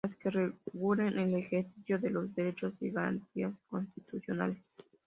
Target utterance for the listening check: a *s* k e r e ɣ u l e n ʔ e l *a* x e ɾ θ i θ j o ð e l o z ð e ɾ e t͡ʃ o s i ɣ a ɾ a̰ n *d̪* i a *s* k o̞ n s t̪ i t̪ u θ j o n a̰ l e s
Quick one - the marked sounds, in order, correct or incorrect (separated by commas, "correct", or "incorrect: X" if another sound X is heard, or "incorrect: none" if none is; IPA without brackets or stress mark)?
correct, incorrect: e, incorrect: t̪, correct